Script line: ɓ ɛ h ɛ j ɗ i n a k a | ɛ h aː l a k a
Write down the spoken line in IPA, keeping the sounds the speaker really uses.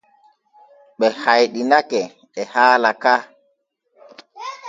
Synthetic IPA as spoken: ɓ ɛ h a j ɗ i n a k ɛ | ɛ h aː l a k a